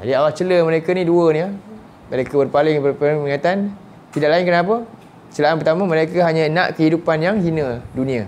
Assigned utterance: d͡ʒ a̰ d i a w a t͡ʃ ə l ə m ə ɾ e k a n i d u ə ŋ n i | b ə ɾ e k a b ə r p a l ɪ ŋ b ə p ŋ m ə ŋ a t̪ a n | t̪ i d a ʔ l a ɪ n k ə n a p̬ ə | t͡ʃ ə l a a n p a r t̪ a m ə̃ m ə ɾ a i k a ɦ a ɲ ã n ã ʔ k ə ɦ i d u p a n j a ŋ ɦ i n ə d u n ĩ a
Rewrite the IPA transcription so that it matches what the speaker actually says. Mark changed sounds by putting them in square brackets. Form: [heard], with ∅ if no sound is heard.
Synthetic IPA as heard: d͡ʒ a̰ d i a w a t͡ʃ ə l ə m ə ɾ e k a n i d u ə [∅] n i | [m] ə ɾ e k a b ə r p a l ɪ ŋ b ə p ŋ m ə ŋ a t̪ a n | t̪ i d a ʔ l a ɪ n k ə n a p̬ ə | t͡ʃ ə l a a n p [ə] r t̪ a m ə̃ m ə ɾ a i k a ɦ a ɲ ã n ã ʔ k ə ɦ i d u p a n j a ŋ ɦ i n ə d u n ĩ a